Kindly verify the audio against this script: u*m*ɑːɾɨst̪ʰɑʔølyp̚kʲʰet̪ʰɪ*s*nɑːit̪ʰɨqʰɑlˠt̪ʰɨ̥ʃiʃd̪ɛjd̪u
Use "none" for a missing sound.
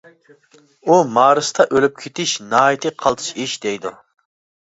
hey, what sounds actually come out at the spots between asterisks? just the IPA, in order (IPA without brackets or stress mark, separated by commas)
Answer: m, ʃ